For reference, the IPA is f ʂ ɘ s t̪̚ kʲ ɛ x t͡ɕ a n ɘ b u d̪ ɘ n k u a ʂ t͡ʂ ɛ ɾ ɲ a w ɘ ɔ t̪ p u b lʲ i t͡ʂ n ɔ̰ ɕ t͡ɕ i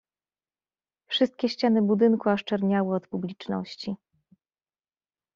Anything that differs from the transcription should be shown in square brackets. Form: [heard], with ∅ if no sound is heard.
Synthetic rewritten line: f ʂ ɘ s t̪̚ kʲ ɛ [ɕ] t͡ɕ a n ɘ b u d̪ ɘ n k u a ʂ t͡ʂ ɛ ɾ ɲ a w ɘ ɔ t̪ p u b lʲ i t͡ʂ n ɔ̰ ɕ t͡ɕ i